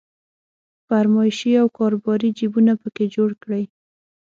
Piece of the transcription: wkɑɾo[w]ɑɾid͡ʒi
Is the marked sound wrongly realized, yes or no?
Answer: yes